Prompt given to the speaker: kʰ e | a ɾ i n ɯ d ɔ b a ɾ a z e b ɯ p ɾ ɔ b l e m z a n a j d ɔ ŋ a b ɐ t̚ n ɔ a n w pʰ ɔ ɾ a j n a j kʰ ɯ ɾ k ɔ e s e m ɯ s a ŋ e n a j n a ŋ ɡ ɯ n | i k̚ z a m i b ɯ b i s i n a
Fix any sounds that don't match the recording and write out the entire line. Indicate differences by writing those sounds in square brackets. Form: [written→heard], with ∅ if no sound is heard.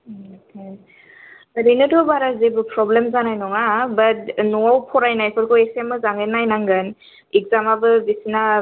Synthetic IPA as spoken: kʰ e | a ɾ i n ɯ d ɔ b a ɾ a z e b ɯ p ɾ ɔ b l e m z a n a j [d→n] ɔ ŋ a b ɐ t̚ n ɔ a [n→∅] w pʰ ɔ ɾ a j n a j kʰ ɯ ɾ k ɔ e s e m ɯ [s→z] a ŋ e n a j n a ŋ ɡ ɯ n | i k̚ z a m [i→a] b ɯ b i s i n a